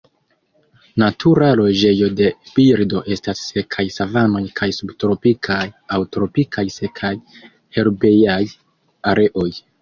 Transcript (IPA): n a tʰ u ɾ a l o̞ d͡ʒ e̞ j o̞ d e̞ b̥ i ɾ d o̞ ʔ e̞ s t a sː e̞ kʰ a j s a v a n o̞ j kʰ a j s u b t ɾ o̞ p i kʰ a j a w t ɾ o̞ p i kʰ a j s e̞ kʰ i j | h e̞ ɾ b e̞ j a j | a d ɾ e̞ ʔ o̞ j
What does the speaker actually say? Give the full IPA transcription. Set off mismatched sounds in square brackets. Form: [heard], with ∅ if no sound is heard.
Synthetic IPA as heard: n a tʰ u ɾ a l o̞ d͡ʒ e̞ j o̞ d e̞ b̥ i ɾ d o̞ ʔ e̞ s t a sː e̞ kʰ a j s a v a n o̞ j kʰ a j s u b t ɾ o̞ p i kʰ a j a w t ɾ o̞ p i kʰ a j s e̞ kʰ [a] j | h e̞ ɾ b e̞ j a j | a [∅] ɾ e̞ ʔ o̞ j